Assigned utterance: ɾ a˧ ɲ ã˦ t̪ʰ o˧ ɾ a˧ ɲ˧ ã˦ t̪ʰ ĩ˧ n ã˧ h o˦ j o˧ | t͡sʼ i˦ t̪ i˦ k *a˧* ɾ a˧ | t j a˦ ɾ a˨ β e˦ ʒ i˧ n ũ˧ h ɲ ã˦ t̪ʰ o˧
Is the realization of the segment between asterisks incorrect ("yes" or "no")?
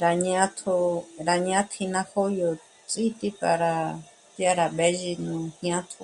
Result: no